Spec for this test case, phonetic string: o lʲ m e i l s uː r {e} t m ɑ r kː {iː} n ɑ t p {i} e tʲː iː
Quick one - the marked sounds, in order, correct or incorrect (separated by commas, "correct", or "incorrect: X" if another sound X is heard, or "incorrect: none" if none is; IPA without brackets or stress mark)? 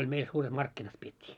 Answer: correct, incorrect: i, correct